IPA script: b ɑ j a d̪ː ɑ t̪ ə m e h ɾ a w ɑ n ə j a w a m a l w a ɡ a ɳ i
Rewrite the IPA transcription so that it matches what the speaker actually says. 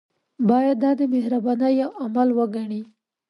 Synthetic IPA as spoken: b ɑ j a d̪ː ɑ d̪ ə m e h ɾ a b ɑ n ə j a w a m a l w ə ɡ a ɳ i